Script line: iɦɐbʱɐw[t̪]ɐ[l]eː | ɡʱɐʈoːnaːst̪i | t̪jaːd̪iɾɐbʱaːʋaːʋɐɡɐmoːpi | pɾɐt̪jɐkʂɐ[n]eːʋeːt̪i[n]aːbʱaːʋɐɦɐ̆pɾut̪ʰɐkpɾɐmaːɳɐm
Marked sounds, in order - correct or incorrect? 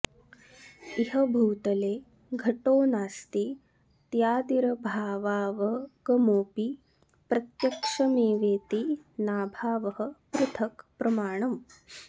correct, correct, incorrect, correct

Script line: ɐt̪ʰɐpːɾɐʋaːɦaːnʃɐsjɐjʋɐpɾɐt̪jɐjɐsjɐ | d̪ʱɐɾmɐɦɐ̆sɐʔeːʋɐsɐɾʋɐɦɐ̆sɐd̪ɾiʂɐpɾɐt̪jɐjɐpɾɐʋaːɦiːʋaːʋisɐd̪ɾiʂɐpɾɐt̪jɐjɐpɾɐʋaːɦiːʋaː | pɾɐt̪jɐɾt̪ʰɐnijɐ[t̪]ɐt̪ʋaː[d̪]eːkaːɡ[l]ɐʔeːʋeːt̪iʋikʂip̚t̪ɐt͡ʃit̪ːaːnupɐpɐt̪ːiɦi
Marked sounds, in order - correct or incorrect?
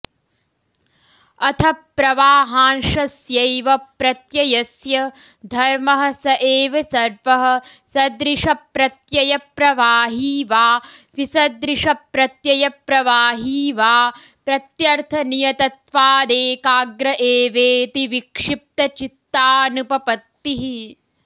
correct, correct, incorrect

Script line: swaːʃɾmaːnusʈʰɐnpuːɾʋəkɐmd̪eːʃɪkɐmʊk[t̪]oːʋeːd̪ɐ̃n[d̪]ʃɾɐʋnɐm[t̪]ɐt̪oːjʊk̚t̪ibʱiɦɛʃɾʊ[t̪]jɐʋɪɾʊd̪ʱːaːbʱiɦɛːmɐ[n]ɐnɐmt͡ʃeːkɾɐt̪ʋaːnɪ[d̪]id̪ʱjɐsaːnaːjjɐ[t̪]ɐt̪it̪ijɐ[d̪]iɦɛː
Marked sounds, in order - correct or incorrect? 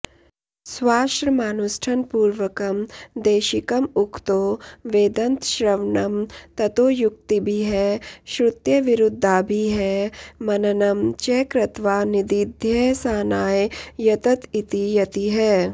correct, incorrect, correct, correct, correct, correct, correct, incorrect

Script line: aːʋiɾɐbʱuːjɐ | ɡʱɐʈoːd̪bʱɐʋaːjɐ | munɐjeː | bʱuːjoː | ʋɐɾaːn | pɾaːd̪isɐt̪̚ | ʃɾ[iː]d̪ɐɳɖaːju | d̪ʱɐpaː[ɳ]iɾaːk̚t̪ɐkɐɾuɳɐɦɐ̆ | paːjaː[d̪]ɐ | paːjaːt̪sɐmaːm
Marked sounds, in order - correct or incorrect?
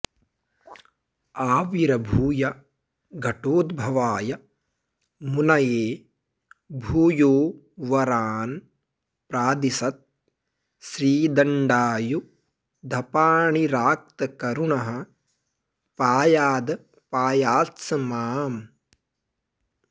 correct, correct, correct

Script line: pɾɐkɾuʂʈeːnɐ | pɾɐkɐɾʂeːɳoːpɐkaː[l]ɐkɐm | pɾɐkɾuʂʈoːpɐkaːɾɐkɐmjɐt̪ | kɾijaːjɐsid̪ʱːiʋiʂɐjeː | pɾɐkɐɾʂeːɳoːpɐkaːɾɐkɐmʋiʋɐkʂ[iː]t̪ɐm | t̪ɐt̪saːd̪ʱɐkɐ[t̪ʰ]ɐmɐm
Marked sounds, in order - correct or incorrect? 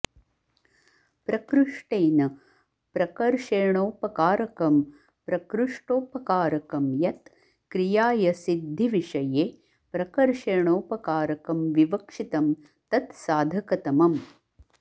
incorrect, incorrect, incorrect

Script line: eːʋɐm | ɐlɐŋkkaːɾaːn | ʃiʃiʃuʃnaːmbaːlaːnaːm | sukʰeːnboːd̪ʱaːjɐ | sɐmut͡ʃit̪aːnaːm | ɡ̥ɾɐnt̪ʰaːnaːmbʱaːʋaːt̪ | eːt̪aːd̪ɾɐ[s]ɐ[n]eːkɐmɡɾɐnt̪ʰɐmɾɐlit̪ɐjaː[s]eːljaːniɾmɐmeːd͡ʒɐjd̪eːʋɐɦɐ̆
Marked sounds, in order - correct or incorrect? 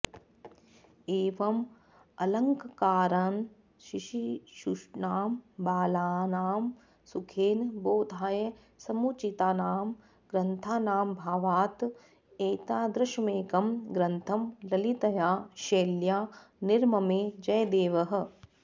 incorrect, incorrect, incorrect

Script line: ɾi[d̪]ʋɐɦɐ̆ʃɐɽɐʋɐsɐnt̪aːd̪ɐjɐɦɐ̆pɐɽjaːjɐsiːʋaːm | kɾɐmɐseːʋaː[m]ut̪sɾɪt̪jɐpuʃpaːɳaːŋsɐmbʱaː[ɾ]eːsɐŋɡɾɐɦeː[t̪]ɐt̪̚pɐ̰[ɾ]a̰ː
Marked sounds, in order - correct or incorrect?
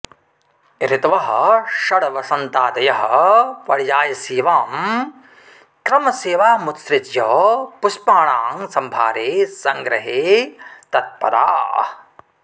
incorrect, correct, correct, correct, correct

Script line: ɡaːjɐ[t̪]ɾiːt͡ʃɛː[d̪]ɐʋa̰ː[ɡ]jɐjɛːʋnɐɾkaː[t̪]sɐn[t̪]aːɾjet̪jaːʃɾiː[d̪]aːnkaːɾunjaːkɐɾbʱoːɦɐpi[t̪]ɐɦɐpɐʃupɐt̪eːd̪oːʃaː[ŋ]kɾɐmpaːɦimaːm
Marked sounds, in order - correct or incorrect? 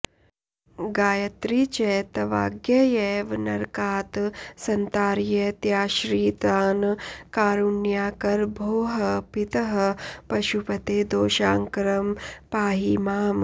correct, incorrect, correct, correct, correct, incorrect, correct, correct

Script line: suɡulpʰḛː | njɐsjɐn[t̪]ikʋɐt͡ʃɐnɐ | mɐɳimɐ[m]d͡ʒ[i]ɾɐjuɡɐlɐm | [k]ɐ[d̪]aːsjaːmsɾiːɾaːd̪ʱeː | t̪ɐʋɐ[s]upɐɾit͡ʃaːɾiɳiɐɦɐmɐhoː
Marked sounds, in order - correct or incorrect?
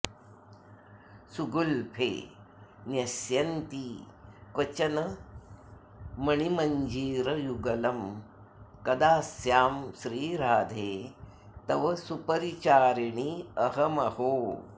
correct, incorrect, incorrect, correct, correct, correct

